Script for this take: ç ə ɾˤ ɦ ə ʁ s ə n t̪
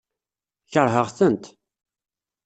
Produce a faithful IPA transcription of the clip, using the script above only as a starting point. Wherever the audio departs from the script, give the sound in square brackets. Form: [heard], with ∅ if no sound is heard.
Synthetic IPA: ç ə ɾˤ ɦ ə ʁ [θ] ə n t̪